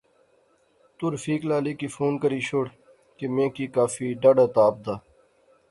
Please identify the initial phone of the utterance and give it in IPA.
t̪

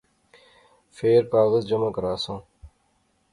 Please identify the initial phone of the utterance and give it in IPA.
f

